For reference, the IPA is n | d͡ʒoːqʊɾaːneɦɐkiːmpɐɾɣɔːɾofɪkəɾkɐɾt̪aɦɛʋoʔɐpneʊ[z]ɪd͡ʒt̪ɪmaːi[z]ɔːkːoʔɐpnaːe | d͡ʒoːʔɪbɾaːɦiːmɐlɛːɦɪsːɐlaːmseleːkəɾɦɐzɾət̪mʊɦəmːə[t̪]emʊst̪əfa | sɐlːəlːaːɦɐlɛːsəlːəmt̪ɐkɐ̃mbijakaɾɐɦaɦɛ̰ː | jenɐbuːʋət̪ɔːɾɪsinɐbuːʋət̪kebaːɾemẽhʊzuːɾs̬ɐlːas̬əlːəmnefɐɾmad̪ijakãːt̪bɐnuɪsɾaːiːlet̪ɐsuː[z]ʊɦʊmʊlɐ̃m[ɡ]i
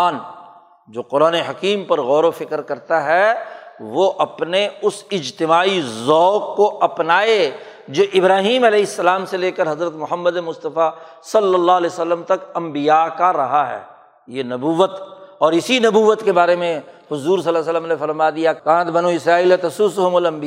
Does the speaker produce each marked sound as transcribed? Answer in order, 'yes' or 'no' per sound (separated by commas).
no, yes, no, no, no